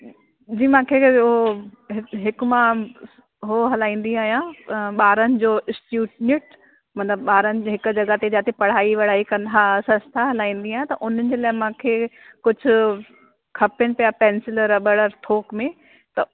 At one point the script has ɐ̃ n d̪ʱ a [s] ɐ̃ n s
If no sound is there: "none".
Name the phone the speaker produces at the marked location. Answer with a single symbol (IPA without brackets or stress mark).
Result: s